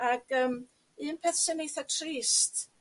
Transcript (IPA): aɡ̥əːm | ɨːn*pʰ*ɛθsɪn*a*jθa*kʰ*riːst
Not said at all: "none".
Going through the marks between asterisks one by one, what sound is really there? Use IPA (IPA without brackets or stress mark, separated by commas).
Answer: pʰ, e, tʰ